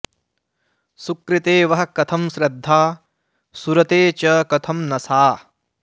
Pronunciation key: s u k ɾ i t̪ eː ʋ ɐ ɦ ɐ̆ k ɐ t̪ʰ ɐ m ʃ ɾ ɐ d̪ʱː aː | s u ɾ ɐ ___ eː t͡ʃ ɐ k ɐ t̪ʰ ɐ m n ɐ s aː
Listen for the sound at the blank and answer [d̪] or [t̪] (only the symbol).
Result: t̪